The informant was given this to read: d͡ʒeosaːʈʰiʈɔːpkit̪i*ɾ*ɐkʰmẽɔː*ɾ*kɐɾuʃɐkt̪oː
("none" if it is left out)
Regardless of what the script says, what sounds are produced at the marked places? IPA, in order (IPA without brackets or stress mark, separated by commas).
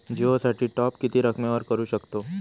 ɾ, ɾ